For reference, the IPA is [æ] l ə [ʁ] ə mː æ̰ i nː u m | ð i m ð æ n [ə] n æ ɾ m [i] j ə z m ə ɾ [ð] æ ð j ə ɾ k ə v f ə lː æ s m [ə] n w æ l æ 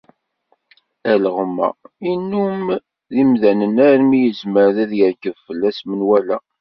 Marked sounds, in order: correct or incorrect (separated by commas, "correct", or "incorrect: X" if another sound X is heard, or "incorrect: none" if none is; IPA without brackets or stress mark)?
correct, correct, correct, correct, correct, correct